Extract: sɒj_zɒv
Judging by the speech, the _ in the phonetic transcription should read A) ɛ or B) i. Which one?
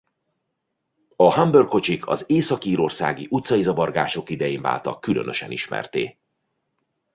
B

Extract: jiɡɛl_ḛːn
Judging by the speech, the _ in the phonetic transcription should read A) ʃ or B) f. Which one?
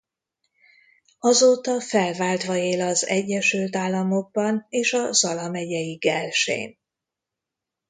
A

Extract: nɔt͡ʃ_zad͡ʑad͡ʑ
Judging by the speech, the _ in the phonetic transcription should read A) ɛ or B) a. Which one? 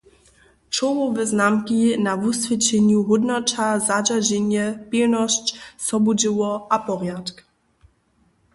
B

